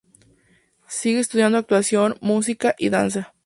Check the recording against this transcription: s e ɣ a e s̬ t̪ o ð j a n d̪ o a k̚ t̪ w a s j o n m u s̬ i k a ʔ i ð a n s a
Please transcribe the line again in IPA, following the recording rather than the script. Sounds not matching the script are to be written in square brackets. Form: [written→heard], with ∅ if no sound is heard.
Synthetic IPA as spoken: s [e→i] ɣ [a→e] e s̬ t̪ [o→u] ð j a n d̪ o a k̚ t̪ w a s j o n m u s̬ i k a ʔ i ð a n s a